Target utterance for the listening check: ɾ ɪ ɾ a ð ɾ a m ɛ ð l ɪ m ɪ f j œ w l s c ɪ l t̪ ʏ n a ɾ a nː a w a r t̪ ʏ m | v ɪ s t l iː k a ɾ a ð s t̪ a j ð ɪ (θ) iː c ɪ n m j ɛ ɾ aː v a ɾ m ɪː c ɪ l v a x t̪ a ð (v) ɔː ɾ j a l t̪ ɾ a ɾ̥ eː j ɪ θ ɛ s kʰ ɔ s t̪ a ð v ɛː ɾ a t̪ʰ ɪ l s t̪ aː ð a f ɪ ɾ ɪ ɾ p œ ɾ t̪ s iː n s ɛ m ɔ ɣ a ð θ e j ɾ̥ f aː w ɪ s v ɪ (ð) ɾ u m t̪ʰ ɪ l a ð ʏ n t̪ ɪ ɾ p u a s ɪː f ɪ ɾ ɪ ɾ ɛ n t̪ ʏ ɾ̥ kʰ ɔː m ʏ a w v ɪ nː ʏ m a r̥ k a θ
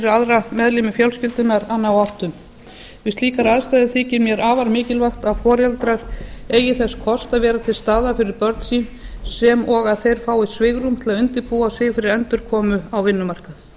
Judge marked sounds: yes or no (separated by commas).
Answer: yes, no, no